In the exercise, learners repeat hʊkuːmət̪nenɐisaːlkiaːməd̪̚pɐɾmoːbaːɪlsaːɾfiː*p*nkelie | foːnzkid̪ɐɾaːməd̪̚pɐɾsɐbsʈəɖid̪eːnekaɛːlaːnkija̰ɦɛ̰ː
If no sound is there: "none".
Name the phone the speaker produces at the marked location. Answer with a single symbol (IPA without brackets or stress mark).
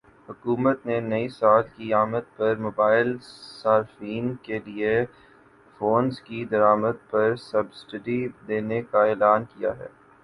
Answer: none